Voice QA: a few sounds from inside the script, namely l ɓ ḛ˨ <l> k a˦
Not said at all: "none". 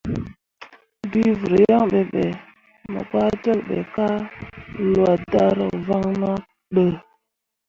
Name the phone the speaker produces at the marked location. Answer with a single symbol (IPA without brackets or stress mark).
none